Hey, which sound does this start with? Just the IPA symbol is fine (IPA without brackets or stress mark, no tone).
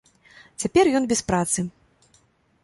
t͡sʲ